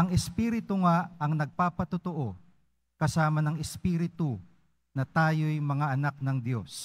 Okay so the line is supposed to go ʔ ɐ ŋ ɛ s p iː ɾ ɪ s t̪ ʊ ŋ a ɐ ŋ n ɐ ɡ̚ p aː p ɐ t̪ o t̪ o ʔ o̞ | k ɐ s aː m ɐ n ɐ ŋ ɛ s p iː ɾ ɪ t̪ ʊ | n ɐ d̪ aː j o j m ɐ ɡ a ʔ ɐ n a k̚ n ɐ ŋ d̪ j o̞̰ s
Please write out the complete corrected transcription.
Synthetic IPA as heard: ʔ ɐ ŋ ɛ s p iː ɾ ɪ t̪ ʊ ŋ a ɐ ŋ n ɐ ɡ̚ p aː p ɐ t̪ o t̪ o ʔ o̞ | k ɐ s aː m ɐ n ɐ ŋ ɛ s p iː ɾ ɪ t̪ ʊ | n ɐ t̪ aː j o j m ɐ ŋ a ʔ ɐ n a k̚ n ɐ ŋ d̪ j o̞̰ s